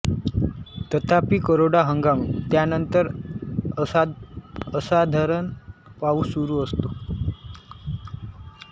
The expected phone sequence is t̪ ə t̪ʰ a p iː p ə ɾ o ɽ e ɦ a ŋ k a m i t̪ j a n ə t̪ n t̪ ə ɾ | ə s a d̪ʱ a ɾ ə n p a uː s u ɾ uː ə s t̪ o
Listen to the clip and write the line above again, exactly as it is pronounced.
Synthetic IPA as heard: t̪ ə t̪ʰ a p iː k ə ɾ o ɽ a ɦ ə ŋ ɡ a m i t̪ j a n ə n t̪ ə ɾ | ə s a d̪ʱ a ɾ ə n p a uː s u ɾ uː ə s t̪ o